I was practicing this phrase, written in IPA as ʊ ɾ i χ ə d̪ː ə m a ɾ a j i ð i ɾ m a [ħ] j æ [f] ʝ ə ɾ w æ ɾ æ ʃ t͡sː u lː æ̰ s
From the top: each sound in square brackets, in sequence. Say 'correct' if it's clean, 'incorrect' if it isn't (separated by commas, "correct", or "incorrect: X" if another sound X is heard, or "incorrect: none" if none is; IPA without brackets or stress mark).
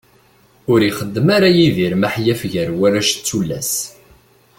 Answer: correct, correct